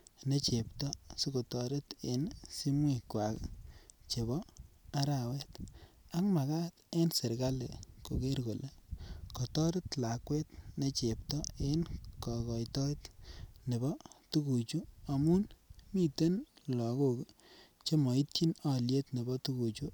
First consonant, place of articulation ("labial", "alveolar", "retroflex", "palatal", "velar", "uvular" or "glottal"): alveolar